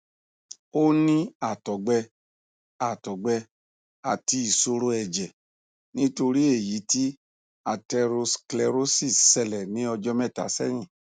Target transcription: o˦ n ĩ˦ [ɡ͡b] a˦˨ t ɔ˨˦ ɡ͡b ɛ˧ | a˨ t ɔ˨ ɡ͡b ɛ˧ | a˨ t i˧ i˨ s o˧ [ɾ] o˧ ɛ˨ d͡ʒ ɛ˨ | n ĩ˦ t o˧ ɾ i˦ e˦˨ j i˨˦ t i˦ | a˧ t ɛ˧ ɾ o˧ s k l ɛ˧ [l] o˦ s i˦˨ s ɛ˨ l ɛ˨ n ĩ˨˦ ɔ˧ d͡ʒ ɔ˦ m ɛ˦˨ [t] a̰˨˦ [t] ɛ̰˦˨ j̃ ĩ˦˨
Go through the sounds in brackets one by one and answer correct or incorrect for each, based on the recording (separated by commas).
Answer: incorrect, correct, incorrect, correct, incorrect